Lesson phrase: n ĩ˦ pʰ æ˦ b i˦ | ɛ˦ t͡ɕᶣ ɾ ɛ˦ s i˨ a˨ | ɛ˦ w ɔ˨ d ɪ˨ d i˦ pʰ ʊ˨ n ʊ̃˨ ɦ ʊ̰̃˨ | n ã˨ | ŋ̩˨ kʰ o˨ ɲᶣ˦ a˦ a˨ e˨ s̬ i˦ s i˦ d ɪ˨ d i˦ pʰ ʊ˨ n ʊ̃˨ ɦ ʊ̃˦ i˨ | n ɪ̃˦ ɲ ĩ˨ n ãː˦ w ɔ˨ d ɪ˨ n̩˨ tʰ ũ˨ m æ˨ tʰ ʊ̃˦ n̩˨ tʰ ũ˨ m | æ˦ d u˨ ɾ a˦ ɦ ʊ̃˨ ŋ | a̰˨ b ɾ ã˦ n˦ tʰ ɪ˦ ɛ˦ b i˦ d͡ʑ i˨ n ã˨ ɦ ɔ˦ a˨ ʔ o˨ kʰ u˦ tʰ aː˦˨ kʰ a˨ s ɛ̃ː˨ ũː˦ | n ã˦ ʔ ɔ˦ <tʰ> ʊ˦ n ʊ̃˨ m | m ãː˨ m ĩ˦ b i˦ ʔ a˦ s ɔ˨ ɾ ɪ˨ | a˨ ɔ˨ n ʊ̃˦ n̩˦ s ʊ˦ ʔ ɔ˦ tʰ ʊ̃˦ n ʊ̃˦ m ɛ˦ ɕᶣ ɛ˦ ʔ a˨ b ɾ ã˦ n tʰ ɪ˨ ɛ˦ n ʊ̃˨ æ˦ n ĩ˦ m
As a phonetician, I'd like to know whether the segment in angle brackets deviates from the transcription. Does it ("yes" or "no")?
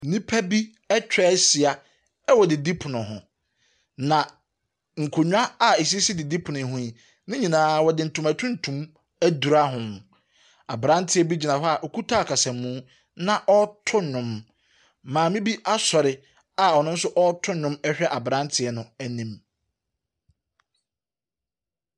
no